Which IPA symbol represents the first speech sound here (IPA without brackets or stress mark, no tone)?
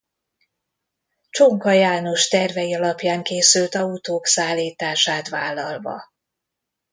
t͡ʃ